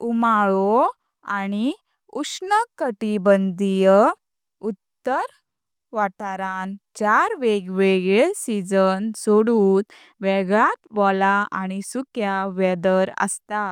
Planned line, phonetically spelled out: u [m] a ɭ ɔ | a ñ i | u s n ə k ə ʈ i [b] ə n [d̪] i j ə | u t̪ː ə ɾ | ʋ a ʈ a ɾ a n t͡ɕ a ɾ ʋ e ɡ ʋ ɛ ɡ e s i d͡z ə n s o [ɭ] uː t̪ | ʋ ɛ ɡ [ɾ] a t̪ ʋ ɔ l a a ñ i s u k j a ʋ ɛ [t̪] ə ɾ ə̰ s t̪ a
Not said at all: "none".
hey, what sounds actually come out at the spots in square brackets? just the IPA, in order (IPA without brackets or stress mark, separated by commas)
m, b, d̪, ɽ, ɭ, d̪